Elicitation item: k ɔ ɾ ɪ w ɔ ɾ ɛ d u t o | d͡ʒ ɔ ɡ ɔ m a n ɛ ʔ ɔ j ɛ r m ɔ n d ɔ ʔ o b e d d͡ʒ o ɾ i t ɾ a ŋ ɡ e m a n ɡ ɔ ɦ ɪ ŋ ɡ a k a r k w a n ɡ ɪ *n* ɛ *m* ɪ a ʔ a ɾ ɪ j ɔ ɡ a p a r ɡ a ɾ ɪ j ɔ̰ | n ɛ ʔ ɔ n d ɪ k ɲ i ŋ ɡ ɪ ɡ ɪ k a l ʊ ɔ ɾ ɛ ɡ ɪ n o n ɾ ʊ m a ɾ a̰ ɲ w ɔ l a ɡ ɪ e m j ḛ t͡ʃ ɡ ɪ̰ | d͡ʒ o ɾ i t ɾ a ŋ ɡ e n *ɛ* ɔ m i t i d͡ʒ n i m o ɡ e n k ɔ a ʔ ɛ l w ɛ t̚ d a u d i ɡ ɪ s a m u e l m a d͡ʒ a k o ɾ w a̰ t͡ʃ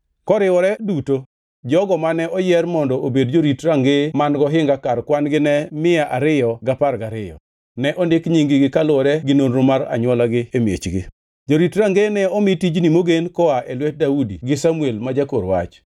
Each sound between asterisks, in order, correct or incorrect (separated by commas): correct, correct, correct